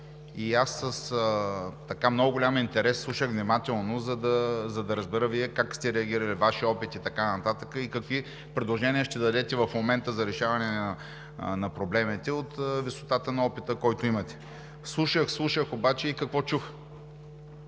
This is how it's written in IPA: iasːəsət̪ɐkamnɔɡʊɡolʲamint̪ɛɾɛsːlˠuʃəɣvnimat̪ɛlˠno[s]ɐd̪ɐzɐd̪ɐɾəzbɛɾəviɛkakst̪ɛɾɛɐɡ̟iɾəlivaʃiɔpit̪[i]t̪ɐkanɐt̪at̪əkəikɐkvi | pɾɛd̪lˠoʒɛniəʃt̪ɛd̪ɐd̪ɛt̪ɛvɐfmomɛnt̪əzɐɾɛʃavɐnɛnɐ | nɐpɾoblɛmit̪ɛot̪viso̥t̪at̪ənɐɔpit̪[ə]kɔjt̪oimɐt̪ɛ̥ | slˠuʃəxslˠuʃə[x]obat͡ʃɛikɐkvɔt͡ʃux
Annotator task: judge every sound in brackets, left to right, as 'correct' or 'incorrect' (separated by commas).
incorrect, correct, correct, correct